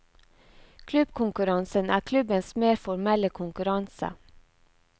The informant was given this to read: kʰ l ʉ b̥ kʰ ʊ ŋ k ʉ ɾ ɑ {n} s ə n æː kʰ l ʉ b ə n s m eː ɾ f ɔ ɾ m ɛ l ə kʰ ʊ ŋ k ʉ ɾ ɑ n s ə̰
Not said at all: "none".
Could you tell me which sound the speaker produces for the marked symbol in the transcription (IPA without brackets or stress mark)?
n